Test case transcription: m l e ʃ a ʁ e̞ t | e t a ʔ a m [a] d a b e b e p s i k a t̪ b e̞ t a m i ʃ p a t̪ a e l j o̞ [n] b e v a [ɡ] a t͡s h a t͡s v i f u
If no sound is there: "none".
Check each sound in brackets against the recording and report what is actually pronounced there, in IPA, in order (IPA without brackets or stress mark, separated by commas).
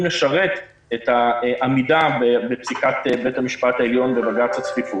i, n, ɡ